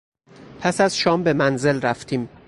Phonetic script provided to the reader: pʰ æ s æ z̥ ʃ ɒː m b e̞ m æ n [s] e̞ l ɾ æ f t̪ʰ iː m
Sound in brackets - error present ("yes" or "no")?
yes